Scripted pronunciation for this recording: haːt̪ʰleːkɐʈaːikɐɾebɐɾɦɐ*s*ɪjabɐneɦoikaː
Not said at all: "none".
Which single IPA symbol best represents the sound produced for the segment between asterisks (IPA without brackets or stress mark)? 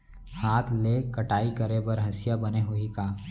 s